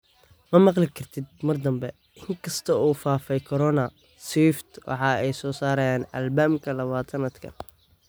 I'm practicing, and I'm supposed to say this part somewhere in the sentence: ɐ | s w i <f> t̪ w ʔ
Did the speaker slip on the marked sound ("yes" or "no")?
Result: no